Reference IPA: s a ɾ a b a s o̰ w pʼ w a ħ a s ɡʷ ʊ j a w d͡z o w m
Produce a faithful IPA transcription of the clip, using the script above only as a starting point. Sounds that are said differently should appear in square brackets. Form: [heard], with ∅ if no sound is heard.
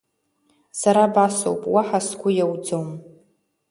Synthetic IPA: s a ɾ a b a s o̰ w pʼ w a ħ a s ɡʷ ʊ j a w d͡z o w m